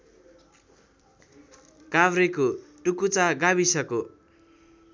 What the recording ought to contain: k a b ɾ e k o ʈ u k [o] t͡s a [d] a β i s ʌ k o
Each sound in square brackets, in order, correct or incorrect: incorrect: u, incorrect: ɡ

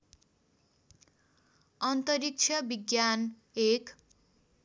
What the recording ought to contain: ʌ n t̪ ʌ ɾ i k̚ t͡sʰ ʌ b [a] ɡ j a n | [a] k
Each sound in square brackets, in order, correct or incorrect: incorrect: i, incorrect: e

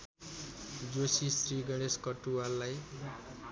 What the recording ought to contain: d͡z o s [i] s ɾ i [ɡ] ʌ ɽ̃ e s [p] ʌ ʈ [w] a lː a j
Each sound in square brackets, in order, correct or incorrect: correct, correct, incorrect: k, incorrect: u

